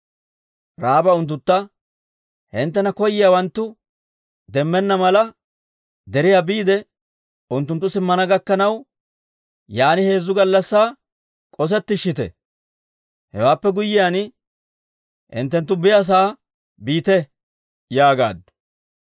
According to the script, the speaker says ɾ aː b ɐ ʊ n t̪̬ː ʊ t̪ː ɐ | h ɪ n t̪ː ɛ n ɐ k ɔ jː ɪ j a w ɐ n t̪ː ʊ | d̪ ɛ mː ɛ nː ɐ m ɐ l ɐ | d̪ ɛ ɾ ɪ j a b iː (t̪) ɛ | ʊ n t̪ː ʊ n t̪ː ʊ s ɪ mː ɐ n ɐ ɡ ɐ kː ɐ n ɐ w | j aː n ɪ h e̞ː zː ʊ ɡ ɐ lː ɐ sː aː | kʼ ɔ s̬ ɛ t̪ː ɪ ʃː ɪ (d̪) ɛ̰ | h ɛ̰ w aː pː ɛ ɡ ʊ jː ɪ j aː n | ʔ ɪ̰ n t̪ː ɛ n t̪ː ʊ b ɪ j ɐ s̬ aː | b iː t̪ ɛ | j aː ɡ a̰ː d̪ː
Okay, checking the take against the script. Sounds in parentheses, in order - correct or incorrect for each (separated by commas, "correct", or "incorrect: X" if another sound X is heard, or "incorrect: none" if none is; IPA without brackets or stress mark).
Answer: incorrect: d̪, incorrect: t̪